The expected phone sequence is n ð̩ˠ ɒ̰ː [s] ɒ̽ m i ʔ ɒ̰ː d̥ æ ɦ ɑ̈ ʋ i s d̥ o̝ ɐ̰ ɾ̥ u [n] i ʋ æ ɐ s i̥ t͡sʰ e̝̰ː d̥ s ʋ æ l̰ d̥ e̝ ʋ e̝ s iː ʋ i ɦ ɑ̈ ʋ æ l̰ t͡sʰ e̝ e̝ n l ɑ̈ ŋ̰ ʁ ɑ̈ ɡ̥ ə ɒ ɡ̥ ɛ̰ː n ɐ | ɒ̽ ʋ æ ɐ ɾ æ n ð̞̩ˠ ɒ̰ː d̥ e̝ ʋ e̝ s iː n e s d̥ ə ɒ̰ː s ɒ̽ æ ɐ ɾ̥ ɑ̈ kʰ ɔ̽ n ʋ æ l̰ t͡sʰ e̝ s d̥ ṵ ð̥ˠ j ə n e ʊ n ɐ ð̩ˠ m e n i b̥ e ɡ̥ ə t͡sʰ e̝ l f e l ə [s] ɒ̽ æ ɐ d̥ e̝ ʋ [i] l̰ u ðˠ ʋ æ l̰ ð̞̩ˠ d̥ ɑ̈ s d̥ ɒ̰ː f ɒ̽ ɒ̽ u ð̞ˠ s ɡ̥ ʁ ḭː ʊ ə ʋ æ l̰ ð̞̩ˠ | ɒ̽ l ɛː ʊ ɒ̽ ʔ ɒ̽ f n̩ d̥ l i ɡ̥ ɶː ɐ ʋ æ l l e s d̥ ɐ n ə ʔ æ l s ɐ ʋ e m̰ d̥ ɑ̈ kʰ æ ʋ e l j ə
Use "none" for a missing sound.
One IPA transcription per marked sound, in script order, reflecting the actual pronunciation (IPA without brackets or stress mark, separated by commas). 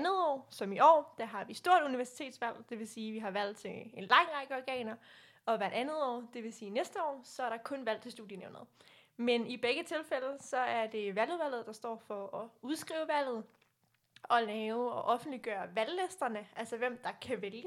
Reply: s, n, s, æ